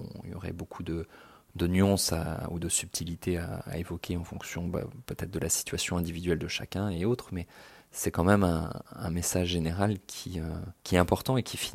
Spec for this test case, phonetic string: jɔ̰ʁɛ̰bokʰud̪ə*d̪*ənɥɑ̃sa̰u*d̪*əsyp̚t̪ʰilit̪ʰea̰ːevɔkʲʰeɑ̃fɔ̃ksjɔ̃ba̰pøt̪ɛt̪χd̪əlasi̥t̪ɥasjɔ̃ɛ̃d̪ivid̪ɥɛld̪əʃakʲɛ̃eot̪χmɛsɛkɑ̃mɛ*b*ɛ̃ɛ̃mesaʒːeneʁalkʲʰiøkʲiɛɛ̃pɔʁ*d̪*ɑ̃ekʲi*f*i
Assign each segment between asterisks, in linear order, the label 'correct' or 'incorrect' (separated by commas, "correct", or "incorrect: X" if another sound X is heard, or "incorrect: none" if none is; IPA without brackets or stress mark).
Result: correct, correct, incorrect: m, incorrect: t̪, correct